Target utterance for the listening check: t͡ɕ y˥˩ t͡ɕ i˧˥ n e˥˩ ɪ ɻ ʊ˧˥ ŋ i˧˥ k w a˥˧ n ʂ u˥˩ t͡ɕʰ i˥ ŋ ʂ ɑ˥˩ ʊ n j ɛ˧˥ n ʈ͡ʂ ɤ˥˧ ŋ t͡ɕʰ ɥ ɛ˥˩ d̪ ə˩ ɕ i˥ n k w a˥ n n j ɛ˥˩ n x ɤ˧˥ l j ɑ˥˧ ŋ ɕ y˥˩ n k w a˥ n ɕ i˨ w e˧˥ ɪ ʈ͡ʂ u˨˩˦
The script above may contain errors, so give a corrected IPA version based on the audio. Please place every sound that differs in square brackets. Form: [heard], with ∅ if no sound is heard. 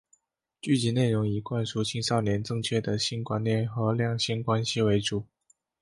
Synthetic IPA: t͡ɕ y˥˩ t͡ɕ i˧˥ n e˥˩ ɪ ɻ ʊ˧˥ ŋ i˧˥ k w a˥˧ n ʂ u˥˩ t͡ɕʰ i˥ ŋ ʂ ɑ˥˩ ʊ n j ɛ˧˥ n ʈ͡ʂ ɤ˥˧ ŋ t͡ɕʰ ɥ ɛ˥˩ d̪ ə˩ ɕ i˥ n k w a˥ n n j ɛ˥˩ n x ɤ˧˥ l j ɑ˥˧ ŋ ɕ [i˥˩] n k w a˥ n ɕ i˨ w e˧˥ ɪ ʈ͡ʂ u˨˩˦